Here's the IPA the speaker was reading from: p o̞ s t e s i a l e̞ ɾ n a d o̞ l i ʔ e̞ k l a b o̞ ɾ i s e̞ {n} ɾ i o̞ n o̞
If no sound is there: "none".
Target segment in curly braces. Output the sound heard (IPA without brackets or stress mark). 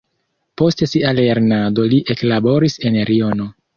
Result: n